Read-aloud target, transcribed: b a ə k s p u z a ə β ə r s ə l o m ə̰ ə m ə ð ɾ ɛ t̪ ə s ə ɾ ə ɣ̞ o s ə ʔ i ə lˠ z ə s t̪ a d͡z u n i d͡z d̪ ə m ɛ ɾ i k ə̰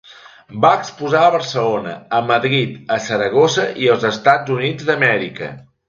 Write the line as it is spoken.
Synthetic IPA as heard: b a ə k s p u z a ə β ə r s ə l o n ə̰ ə m ə ð ɾ i t̪ ə s ə ɾ ə ɣ̞ o s ə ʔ i ə lˠ z ə s t̪ a d͡z u n i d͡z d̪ ə m ɛ ɾ i k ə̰

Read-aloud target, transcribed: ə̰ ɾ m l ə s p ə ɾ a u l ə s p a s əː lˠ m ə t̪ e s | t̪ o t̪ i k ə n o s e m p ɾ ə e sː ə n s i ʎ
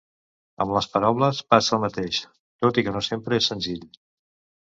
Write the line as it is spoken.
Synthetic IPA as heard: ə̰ m l ə s p ə ɾ a w l ə s p a s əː lˠ m ə t̪ e ʃ | t̪ o t̪ i k ə n o s e m p ɾ ə e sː ə n z i ʎ

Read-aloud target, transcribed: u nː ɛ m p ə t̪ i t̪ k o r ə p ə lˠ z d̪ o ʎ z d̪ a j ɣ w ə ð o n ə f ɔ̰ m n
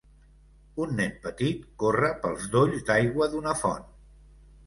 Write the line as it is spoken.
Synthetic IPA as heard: u nː ɛ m p ə t̪ i t̪ k o r ə p ə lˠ z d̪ o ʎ z d̪ a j ɣ w ə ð u n ə f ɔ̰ n

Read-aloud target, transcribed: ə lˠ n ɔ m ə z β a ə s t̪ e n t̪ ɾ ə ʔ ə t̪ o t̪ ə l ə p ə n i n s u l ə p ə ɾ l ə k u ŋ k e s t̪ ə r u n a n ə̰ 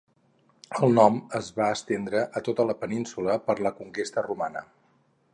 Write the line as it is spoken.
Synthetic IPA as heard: ə lˠ n ɔ m ə z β a ə s t̪ e n d̪ ɾ ə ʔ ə t̪ o t̪ ə l ə p ə n i n s u l ə p ə ɾ l ə k u ŋ k e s t̪ ə r u m a n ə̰

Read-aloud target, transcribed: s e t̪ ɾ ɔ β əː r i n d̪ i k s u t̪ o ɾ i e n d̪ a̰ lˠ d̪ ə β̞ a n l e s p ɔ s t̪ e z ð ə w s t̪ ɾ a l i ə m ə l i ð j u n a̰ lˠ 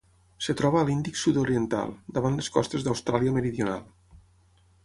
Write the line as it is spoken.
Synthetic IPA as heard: s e t̪ ɾ ɔ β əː l i n d̪ i k s u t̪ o ɾ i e n t̪ a̰ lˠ d̪ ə β̞ a n l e s k ɔ s t̪ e z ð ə w s t̪ ɾ a l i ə m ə ɾ i ð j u n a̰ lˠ

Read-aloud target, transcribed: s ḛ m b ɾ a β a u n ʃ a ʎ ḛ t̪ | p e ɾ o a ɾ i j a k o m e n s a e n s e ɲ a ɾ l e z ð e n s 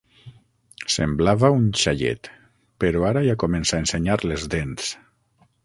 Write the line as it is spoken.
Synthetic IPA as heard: s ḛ m b l a β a u n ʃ a ʎ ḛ t̪ | p e ɾ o a ɾ a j a k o m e n s a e n s e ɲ a ɾ l e z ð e n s

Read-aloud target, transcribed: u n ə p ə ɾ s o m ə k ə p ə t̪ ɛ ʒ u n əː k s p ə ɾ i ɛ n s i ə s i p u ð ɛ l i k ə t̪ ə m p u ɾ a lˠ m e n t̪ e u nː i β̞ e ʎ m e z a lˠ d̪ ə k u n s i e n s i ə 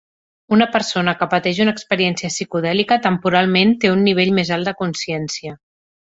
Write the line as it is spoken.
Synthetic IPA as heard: u n ə p ə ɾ s o n ə k ə p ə t̪ ɛ ʒ u n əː k s p ə ɾ i ɛ n s i ə s i k u ð ɛ l i k ə t̪ ə m p u ɾ a lˠ m e n t̪ e u nː i β̞ e ʎ m e z a lˠ d̪ ə k u n s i ɛ n s i ə

